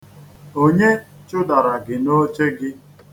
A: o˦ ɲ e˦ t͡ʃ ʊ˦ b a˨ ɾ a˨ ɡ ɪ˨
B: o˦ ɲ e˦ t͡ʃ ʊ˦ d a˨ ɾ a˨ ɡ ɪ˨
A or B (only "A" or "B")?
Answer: B